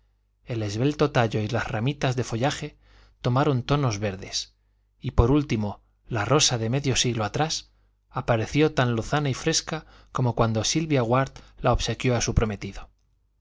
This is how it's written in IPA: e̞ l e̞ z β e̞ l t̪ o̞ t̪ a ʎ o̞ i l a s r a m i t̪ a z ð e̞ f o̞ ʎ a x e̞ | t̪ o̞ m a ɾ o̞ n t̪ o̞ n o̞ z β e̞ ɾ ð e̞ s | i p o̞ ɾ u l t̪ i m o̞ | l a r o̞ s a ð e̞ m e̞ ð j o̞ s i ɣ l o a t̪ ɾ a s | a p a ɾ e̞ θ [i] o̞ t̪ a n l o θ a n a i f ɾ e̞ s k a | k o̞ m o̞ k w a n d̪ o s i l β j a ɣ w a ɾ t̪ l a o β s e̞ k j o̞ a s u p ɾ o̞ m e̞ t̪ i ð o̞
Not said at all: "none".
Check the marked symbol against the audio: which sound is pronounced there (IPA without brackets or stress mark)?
j